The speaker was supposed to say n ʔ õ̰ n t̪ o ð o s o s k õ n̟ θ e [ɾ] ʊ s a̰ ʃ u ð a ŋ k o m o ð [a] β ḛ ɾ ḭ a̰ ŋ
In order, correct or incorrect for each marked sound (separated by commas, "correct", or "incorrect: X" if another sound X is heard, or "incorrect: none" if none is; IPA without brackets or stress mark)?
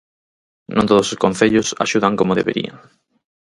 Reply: incorrect: ʎ, incorrect: e